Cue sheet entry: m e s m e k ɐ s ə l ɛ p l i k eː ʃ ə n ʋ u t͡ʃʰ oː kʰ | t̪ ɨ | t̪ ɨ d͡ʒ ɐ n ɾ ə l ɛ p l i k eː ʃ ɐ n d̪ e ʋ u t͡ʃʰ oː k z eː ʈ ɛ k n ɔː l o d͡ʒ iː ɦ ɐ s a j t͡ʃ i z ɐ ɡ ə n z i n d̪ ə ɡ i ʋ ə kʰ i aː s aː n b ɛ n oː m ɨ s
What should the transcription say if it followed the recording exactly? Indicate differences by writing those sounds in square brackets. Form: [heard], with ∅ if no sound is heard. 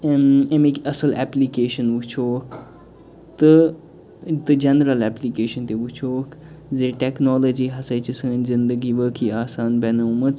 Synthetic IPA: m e [∅] m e k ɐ s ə l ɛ p l i k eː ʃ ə n ʋ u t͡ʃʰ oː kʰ | t̪ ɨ | t̪ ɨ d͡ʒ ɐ n ɾ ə l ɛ p l i k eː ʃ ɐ n [t̪] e ʋ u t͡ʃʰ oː k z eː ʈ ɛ k n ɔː l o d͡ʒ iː ɦ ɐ s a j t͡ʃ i [s] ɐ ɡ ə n z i n d̪ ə ɡ i ʋ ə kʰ i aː s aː n b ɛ n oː m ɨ [t͡s]